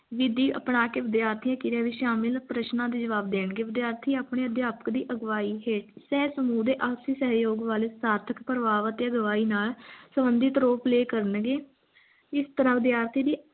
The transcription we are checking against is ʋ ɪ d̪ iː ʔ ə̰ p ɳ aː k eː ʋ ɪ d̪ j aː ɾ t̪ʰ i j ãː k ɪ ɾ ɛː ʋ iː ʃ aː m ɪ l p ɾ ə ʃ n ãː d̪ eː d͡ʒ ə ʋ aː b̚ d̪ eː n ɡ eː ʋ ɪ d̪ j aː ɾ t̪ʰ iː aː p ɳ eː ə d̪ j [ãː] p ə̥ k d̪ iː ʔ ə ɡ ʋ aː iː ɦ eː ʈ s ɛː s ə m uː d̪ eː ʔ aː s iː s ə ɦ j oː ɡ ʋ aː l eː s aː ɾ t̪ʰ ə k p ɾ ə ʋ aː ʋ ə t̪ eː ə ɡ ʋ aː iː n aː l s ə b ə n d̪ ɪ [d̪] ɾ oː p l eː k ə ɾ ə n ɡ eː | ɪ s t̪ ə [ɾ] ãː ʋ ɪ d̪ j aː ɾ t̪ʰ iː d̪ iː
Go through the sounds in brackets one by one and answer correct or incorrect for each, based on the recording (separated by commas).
incorrect, incorrect, correct